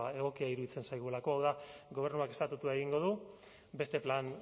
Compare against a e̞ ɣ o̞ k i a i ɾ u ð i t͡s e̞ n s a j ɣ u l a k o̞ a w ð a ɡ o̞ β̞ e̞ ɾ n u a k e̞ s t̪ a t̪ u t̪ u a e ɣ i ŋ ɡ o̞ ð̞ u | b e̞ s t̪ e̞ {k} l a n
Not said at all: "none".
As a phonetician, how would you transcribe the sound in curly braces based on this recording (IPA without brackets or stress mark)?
p